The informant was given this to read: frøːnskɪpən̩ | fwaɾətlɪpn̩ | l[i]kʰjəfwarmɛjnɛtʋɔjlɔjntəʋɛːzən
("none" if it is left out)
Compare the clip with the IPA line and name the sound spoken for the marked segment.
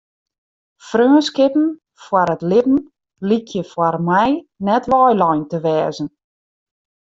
i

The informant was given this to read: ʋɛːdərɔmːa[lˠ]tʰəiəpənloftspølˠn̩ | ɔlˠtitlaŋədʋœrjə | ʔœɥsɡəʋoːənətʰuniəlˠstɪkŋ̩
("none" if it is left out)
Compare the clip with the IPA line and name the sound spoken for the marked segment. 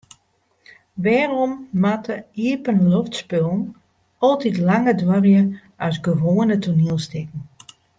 none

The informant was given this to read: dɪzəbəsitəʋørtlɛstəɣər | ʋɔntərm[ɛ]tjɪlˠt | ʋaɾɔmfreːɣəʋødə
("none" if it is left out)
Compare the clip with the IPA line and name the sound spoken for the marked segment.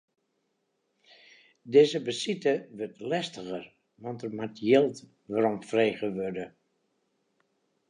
a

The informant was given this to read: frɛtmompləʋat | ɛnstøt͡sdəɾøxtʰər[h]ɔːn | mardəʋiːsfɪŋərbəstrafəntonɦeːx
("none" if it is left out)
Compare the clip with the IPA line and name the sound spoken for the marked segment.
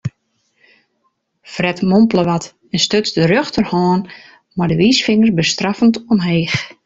h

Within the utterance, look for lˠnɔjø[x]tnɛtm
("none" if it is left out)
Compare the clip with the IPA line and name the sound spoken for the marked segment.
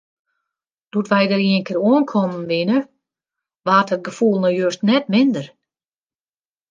s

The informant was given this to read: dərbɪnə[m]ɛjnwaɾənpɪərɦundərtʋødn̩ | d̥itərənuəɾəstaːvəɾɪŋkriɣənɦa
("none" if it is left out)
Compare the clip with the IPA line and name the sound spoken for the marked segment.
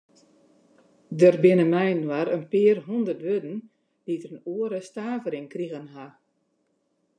m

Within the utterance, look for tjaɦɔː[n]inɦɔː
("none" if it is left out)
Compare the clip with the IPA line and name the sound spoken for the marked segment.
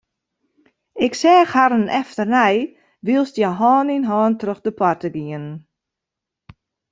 n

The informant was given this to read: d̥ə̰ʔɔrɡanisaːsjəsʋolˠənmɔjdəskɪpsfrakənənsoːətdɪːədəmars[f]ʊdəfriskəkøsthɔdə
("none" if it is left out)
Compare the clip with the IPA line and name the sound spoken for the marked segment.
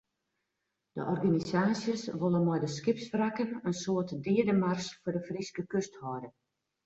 f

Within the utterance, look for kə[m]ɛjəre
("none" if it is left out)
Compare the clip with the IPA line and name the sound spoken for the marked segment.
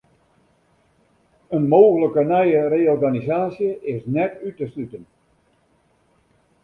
n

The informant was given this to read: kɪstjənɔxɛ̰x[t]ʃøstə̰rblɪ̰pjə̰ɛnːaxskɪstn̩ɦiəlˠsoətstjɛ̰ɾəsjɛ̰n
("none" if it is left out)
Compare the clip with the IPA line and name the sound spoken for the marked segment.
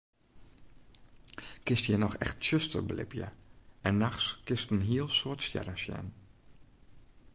t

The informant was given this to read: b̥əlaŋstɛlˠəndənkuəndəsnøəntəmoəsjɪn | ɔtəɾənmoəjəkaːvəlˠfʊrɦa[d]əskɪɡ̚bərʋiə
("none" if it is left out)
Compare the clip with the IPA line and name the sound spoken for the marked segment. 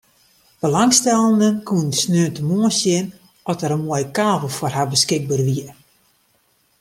b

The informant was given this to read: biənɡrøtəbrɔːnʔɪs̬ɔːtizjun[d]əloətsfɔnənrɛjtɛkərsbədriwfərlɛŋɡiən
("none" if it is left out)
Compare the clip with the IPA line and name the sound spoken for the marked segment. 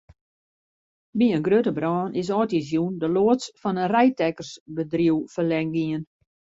d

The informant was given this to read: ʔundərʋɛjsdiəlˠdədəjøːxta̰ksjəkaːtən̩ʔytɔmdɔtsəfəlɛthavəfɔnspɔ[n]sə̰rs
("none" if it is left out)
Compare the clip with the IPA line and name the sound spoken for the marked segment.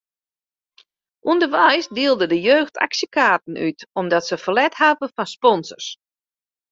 n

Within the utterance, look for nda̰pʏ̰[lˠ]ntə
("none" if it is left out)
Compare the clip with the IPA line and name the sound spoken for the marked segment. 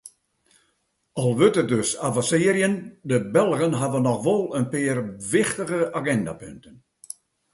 none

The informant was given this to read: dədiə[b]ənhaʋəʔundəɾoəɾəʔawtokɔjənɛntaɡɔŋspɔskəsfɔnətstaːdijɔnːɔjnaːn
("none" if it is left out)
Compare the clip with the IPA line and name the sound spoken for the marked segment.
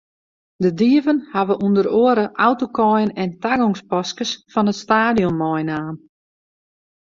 v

